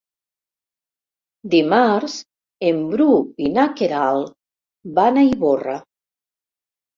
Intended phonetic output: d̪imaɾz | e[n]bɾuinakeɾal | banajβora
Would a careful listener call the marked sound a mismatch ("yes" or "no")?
yes